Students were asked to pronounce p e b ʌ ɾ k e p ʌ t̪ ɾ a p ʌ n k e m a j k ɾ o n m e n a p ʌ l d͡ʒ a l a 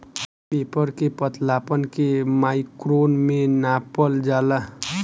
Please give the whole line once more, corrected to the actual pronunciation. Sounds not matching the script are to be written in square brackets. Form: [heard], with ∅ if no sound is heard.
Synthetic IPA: p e [p] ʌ ɾ k e p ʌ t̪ [l] a p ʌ n k e m a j k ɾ o n m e n a p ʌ l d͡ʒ a l a